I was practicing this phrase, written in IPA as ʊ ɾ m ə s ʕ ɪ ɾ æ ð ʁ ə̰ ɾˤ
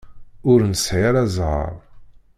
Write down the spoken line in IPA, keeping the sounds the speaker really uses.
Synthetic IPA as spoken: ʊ ɾ n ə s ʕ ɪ ɾ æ z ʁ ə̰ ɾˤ